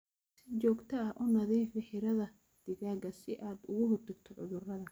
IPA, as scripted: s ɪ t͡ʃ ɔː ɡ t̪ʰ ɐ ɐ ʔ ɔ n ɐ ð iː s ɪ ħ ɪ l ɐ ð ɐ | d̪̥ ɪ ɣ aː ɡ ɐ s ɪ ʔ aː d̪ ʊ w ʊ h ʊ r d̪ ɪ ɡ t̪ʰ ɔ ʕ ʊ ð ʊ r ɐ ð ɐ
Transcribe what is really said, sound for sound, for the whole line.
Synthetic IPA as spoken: s ɪ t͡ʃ ɔː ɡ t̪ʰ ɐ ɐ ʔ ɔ n ɐ ð iː f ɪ ħ ɪ ɾ ɐ ð ɐ | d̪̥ ɪ ɣ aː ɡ ɐ s ɪ ʔ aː d̪ ʊ ɣ ʊ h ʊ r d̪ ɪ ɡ t̪ʰ ɔ ʕ ʊ ð ʊ r ɐ ð ɐ